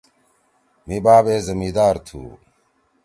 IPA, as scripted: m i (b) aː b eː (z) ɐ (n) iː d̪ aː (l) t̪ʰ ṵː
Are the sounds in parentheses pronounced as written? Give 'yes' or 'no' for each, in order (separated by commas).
yes, yes, no, no